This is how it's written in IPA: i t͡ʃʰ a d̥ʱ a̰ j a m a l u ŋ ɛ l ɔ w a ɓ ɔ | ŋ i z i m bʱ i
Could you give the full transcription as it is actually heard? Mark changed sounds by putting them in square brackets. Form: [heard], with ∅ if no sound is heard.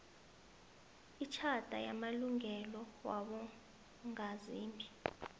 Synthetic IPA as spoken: i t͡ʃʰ a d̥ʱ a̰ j a m a l u ŋ ɛ l ɔ w a ɓ ɔ | ŋ [a] z [iː] m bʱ i